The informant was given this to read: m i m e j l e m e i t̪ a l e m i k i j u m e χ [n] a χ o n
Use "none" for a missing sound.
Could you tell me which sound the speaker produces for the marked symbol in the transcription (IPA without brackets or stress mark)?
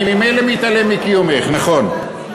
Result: n